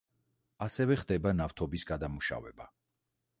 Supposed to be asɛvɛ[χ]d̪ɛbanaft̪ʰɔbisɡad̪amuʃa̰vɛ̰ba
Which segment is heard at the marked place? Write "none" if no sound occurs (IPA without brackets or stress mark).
χ